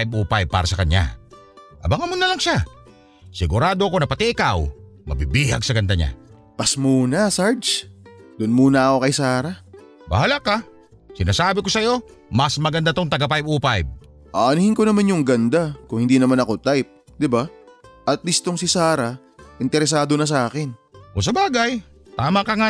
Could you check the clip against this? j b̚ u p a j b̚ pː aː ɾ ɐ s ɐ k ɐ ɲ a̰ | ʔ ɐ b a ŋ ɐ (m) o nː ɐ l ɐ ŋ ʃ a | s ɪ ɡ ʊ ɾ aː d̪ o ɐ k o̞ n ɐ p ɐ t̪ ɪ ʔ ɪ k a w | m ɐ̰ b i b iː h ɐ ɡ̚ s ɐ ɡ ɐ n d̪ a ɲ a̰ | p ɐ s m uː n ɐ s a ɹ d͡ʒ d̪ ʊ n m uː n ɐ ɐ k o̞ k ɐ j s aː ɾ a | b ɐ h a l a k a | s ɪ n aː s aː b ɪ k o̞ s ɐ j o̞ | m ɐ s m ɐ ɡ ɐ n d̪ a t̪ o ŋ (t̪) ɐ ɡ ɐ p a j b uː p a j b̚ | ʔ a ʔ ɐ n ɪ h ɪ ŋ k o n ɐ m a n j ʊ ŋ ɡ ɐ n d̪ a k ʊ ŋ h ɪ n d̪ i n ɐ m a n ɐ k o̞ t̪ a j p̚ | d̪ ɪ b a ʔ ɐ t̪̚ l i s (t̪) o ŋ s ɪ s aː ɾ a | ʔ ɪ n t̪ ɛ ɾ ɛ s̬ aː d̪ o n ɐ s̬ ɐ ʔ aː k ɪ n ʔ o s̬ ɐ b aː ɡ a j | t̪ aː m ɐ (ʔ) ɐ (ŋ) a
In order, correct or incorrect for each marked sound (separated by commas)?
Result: correct, correct, correct, incorrect, correct